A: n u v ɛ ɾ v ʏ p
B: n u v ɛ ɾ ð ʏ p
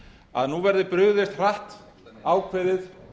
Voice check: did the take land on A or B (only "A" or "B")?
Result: B